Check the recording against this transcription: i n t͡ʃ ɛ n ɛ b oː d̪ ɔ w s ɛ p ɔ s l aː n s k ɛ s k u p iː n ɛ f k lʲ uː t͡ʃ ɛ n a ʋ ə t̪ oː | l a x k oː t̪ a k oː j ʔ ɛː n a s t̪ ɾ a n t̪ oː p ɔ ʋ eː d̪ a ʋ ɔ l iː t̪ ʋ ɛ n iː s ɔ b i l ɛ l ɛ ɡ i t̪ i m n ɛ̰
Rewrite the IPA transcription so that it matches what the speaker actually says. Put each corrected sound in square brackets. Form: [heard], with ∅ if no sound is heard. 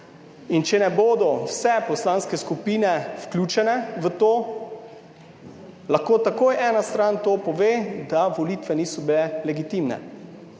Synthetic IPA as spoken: i n t͡ʃ ɛ n ɛ b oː d̪ ɔ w s ɛ p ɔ s l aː n s k ɛ s k u p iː n ɛ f k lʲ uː t͡ʃ ɛ n [ɛ] ʋ ə t̪ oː | l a x k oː t̪ a k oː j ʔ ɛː n a s t̪ ɾ a n t̪ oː p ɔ ʋ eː d̪ a ʋ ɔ l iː t̪ ʋ ɛ n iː s ɔ b i l ɛ l ɛ ɡ i t̪ i m n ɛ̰